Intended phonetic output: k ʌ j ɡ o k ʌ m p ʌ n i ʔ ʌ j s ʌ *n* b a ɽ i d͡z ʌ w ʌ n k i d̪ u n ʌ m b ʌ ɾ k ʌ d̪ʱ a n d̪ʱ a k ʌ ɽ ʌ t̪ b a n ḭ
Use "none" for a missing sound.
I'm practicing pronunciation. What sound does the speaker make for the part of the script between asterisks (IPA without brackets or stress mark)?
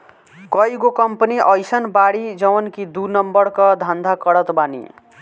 n